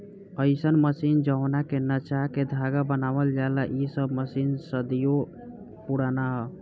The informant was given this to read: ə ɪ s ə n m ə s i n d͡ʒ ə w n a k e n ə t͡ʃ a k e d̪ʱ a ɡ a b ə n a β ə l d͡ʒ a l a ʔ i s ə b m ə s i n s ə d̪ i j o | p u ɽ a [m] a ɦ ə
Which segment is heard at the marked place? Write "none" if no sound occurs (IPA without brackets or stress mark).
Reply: n